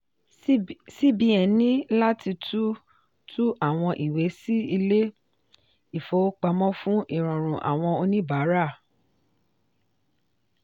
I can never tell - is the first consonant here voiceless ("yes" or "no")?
yes